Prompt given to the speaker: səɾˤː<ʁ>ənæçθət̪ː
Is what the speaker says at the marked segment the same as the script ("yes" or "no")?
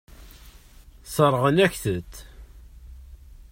yes